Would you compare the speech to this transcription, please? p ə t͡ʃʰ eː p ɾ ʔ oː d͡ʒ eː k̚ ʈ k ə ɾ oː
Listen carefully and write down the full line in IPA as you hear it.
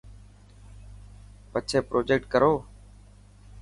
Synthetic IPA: p ə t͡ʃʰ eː p ɾ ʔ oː d͡ʒ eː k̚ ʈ k ə ɾ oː